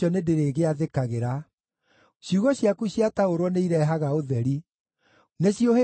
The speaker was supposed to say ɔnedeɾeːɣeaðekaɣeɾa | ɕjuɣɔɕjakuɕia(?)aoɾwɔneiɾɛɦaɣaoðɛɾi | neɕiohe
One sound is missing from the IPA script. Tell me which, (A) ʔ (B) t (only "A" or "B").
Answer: B